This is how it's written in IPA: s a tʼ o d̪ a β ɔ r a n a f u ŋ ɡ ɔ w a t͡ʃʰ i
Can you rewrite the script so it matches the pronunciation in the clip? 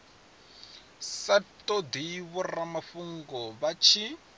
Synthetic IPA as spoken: s a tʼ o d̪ i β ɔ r a m a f u ŋ ɡ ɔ β a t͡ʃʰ i